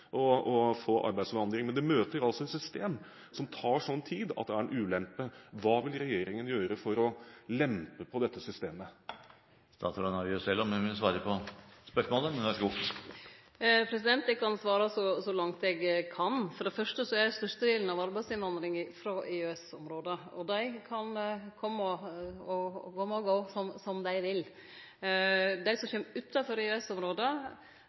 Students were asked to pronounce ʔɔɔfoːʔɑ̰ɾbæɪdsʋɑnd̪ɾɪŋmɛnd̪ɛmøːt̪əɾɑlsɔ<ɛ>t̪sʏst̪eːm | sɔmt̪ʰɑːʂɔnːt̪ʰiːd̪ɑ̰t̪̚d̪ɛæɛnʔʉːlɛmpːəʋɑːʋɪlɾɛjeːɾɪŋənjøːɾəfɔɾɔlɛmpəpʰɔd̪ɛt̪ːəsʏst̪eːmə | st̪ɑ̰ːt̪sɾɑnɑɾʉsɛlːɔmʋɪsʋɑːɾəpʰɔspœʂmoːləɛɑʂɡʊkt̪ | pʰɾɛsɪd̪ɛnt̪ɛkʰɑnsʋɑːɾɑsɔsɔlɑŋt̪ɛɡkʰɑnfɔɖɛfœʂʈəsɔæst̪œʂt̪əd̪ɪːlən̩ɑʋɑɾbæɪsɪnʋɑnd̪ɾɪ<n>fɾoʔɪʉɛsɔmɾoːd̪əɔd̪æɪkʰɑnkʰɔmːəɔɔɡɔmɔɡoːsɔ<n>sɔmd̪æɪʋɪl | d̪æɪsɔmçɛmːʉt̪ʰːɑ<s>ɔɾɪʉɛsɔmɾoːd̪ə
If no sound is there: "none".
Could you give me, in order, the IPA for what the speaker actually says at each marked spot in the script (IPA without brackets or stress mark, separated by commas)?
ɛ, ŋ, m, f